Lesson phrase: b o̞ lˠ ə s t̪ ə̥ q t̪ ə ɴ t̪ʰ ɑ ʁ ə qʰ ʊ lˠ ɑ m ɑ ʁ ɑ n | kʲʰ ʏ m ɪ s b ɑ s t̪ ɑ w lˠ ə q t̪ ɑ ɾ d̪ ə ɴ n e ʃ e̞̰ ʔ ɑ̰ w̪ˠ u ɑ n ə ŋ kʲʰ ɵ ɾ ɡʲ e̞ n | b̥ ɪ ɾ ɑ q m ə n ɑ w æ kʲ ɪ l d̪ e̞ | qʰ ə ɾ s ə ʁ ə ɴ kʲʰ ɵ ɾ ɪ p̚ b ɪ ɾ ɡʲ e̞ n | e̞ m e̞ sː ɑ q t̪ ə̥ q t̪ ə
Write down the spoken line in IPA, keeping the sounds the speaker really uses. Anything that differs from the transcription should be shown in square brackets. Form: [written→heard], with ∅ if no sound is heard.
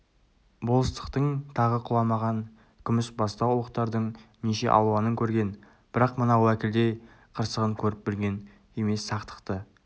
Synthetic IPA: b o̞ lˠ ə s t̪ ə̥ q t̪ ə ɴ t̪ʰ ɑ ʁ ə qʰ ʊ lˠ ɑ m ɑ ʁ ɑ n | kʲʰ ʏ m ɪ s b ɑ s t̪ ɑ w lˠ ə q t̪ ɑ ɾ d̪ ə ɴ n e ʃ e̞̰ ʔ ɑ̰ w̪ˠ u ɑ n ə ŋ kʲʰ ɵ ɾ ɡʲ e̞ n | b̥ ɪ ɾ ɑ q m ə n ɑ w æ kʲ ɪ l d̪ e̞ | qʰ ə ɾ s ə ʁ ə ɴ kʲʰ ɵ ɾ ɪ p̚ b ɪ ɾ ɡʲ e̞ n | e̞ m e̞ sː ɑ q t̪ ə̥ q t̪ ə